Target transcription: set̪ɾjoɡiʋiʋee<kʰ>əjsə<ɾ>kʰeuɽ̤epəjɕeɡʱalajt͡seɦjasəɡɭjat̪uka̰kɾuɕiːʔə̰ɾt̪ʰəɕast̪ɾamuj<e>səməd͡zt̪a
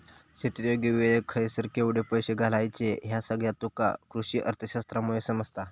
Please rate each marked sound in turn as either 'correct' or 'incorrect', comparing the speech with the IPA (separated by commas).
correct, correct, correct